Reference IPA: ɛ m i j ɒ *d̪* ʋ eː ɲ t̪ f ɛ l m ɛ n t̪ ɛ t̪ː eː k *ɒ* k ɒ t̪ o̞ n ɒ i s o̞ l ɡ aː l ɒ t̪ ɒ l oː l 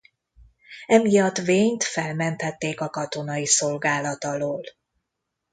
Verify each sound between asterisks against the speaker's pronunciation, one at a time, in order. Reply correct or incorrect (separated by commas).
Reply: incorrect, correct